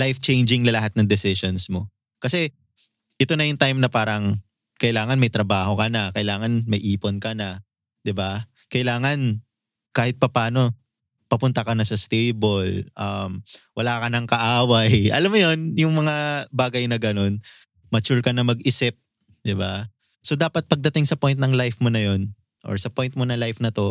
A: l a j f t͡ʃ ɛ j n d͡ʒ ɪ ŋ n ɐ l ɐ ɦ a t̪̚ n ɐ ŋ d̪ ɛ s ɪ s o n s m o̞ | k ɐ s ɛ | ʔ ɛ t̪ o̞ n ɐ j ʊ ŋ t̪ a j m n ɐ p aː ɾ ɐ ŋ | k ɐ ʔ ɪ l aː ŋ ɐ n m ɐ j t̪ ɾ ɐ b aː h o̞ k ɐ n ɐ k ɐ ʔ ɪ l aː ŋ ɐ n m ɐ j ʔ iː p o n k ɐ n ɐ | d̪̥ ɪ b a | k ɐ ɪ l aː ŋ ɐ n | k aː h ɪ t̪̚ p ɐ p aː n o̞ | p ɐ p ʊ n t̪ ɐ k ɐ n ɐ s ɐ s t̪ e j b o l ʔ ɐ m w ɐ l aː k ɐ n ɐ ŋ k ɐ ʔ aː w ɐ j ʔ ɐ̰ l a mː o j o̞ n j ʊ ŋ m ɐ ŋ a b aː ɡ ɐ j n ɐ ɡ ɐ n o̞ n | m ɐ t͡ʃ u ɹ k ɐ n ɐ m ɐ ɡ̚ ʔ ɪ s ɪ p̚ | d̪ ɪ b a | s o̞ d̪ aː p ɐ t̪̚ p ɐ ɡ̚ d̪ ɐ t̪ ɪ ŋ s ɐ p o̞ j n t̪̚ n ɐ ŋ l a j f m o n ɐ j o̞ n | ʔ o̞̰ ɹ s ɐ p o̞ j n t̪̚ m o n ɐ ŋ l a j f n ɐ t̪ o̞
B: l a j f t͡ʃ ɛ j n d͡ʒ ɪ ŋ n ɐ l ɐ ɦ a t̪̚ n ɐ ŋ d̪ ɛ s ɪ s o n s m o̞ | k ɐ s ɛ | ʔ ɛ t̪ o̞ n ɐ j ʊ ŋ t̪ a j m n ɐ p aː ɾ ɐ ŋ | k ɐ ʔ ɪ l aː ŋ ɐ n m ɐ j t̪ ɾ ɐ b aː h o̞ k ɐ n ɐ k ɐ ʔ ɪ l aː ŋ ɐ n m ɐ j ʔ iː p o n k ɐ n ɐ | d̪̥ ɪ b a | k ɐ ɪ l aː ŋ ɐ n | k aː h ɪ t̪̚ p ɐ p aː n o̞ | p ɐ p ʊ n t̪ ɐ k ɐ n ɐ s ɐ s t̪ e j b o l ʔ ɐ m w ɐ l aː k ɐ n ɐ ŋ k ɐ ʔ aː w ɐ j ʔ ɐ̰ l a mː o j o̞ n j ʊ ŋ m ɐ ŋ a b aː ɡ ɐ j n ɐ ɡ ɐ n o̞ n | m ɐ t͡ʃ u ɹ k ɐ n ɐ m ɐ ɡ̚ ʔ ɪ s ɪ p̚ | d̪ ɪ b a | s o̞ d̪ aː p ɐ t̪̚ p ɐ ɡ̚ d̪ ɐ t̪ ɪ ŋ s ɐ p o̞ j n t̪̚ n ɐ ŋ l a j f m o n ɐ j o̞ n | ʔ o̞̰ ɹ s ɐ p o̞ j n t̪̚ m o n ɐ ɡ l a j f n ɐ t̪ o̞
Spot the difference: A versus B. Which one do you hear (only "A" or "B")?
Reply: A